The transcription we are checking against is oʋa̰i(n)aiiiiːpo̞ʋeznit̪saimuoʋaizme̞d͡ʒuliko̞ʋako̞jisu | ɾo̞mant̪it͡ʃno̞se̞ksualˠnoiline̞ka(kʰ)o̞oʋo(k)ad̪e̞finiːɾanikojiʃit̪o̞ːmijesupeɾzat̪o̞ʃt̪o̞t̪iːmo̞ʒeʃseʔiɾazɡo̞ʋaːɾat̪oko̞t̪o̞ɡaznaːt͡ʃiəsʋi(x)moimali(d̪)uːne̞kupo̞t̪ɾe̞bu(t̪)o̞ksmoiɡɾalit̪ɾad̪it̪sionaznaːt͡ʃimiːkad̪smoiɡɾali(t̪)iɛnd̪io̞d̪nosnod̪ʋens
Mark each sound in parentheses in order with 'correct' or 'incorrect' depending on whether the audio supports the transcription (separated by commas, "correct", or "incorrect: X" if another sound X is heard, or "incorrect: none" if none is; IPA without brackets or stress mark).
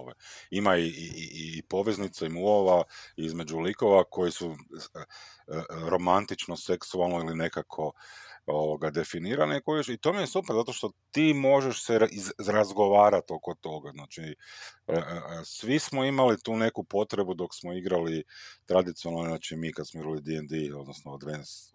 incorrect: m, correct, incorrect: ɡ, incorrect: s, incorrect: t̪, incorrect: d̪, incorrect: d̪